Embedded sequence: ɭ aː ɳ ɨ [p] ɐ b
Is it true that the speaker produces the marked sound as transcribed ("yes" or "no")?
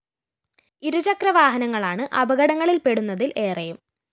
no